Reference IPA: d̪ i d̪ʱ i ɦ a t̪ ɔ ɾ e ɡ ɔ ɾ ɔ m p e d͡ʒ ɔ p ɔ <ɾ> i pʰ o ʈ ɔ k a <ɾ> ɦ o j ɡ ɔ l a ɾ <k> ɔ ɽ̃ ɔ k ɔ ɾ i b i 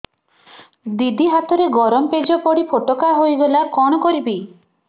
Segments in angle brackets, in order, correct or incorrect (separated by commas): incorrect, incorrect, correct